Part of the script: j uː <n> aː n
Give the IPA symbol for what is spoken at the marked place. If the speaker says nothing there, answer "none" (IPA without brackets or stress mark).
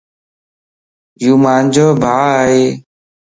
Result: m